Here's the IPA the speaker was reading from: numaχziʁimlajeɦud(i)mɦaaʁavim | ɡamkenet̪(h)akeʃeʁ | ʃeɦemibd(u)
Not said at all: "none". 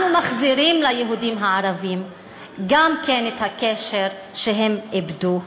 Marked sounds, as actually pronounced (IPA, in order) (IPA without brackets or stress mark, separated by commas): i, h, u